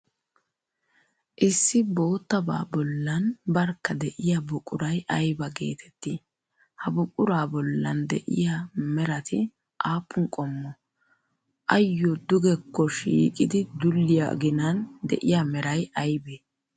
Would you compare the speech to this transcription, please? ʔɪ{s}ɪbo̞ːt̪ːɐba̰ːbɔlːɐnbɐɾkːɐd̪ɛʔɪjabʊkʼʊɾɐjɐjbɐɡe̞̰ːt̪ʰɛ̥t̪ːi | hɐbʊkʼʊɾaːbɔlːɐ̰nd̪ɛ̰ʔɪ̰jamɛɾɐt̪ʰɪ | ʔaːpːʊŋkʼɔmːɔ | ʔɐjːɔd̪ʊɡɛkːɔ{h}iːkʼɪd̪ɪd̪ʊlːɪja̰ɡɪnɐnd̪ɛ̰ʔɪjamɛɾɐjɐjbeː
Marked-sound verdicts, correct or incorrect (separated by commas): incorrect, incorrect